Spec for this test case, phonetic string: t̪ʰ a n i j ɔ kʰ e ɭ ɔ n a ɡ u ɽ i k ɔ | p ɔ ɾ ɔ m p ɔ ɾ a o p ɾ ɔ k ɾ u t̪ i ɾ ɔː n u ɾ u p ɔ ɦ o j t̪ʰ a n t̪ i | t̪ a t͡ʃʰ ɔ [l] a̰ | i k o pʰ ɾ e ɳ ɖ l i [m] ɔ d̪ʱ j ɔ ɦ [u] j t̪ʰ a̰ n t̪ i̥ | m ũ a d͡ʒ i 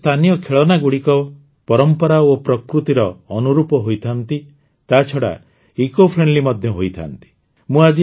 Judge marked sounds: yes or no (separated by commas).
no, yes, no